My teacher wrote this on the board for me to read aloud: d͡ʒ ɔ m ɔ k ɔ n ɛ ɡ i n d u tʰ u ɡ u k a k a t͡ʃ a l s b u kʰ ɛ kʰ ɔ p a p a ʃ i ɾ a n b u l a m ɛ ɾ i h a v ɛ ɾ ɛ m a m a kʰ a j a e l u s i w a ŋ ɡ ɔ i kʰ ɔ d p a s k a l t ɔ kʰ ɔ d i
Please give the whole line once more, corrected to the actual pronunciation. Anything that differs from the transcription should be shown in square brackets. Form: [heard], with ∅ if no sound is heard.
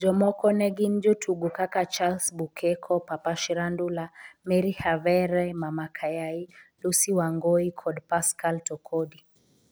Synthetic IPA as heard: d͡ʒ ɔ m ɔ k ɔ n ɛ ɡ i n [d͡ʒ] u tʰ u ɡ u k a k a t͡ʃ a l s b u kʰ ɛ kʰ ɔ p a p a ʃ i ɾ a n [d] u l a m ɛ ɾ i h a v ɛ ɾ ɛ m a m a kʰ a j a [i] l u s i w a ŋ ɡ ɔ i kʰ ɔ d p a s k a l t ɔ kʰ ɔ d i